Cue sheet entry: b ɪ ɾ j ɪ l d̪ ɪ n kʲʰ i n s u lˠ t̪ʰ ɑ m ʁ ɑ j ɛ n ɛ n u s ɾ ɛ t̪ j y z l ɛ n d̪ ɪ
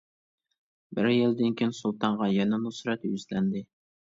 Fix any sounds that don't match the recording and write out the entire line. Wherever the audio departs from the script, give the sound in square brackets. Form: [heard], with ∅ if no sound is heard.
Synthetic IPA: b ɪ ɾ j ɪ l d̪ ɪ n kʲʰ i n s u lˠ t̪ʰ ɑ [ɴ] ʁ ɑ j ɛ n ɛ n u s ɾ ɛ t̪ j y z l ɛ n d̪ ɪ